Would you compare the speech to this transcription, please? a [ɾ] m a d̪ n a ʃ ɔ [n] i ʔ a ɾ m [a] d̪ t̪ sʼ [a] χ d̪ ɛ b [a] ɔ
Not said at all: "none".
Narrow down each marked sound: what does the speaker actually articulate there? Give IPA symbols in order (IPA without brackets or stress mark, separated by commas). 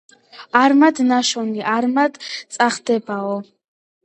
ɾ, n, a, a, a